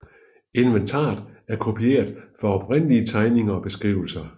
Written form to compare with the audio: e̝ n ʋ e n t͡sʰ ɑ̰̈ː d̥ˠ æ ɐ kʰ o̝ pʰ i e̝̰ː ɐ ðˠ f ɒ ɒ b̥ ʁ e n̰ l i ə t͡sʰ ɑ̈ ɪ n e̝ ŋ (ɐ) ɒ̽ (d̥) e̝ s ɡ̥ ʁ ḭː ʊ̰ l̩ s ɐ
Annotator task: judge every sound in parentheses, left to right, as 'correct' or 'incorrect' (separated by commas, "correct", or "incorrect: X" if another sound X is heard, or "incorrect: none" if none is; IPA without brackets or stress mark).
correct, incorrect: b̥